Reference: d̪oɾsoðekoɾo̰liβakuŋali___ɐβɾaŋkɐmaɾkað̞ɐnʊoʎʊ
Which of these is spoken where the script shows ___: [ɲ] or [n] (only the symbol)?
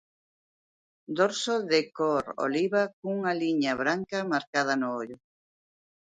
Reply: ɲ